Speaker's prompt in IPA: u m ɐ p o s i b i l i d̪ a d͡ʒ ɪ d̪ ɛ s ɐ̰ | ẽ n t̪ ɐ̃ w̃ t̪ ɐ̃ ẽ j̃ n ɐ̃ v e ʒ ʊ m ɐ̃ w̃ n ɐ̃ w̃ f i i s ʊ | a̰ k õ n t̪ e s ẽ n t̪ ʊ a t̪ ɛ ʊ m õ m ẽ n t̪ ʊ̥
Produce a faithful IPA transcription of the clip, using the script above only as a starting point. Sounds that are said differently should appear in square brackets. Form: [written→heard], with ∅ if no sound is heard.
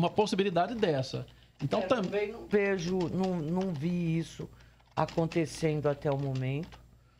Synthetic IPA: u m ɐ p o s i b i l i d̪ a d͡ʒ ɪ d̪ ɛ s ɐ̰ | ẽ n t̪ ɐ̃ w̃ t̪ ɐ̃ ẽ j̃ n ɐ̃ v e ʒ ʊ [m→n] ɐ̃ w̃ n ɐ̃ w̃ [f→v] i i s ʊ | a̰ k õ n t̪ e s ẽ n [t̪→d̪] ʊ a t̪ ɛ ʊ m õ m ẽ n t̪ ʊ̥